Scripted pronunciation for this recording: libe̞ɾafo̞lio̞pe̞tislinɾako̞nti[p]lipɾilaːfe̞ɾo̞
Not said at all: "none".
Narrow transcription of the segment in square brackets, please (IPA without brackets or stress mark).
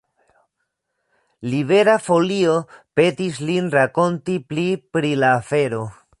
p